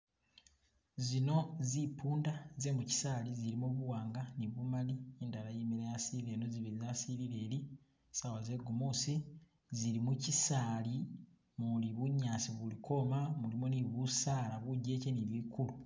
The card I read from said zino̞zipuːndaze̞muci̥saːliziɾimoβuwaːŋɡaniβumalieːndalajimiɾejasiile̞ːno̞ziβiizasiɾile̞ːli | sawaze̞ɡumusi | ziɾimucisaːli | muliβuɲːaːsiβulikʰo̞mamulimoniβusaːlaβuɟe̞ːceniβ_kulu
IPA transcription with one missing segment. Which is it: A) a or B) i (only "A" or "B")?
B